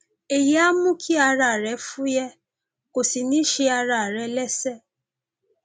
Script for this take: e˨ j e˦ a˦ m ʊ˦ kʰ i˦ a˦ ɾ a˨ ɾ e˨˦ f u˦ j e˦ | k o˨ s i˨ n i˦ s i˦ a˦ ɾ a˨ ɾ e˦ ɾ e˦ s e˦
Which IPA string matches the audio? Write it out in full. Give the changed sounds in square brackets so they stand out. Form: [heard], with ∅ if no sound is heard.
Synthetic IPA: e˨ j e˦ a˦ m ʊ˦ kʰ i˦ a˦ ɾ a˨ ɾ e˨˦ f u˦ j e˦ | k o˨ s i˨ n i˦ [ʃ] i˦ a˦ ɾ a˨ ɾ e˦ [l] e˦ s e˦